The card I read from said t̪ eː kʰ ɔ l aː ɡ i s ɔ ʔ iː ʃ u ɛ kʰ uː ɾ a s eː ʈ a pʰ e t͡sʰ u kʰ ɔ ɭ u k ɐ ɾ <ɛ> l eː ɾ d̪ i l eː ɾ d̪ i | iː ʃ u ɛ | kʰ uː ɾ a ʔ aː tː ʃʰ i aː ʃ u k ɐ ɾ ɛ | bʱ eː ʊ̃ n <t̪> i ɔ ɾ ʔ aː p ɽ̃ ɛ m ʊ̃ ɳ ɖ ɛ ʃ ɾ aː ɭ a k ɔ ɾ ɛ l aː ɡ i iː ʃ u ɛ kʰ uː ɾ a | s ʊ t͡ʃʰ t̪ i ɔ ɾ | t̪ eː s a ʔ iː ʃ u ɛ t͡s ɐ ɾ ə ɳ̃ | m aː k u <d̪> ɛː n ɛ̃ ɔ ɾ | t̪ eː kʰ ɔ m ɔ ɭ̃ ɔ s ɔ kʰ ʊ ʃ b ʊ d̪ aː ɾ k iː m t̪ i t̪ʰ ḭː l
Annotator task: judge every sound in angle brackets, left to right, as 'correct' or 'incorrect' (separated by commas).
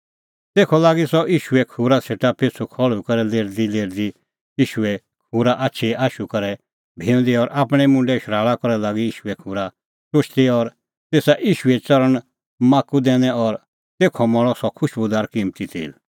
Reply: correct, incorrect, correct